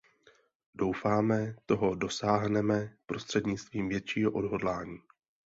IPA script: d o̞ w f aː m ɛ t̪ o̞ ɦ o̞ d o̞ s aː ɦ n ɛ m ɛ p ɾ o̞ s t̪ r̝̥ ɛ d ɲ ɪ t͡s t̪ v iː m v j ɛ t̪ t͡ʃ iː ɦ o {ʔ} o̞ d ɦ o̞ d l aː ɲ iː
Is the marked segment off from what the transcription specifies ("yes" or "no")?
no